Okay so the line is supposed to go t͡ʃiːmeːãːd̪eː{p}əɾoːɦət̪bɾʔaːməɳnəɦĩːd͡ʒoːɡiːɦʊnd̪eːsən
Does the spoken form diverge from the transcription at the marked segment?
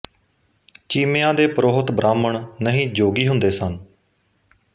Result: no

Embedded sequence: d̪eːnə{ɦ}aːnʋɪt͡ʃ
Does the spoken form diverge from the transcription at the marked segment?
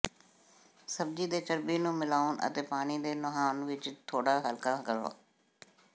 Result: no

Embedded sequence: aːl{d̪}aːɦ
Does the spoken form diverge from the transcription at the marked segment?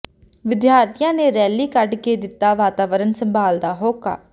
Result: no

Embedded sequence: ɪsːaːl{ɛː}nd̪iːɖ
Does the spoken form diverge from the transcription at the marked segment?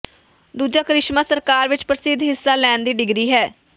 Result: no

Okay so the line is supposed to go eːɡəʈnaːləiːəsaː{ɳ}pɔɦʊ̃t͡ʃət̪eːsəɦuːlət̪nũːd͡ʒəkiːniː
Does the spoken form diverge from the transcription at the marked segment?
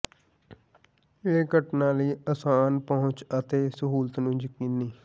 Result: yes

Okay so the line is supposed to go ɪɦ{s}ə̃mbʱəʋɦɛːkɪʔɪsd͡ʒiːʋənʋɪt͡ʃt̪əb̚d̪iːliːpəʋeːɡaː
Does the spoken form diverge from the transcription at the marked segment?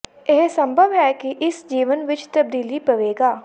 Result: no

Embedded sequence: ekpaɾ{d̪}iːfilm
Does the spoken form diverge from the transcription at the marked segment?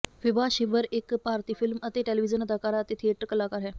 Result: yes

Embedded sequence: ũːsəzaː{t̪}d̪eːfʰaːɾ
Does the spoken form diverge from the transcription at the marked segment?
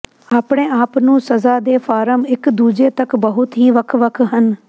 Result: yes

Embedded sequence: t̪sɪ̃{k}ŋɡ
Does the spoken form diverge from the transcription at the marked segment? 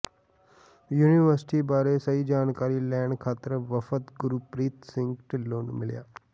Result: yes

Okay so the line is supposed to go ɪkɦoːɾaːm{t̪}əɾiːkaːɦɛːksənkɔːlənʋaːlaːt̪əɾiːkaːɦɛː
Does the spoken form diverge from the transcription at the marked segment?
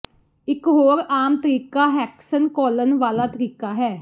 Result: no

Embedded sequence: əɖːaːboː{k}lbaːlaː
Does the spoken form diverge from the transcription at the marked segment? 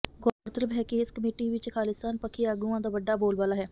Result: yes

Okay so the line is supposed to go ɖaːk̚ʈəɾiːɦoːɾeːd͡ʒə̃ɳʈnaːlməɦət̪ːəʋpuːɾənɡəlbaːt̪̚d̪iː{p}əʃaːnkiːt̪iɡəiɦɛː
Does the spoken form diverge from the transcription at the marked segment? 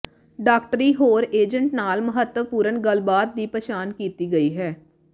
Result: no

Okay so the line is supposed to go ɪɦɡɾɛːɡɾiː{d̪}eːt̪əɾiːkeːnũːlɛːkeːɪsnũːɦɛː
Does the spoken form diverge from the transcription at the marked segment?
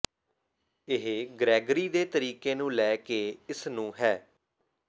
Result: no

